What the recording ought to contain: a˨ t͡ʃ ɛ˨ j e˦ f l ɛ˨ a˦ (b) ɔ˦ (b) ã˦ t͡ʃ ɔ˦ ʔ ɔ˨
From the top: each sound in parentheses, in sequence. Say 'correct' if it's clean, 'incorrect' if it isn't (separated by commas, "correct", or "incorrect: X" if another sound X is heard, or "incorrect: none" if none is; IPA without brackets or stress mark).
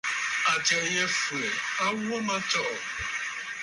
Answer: incorrect: w, incorrect: m